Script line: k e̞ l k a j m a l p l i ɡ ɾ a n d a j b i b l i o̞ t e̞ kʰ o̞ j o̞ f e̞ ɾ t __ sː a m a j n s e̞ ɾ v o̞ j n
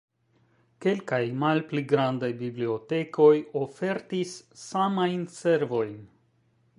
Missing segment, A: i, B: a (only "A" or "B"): A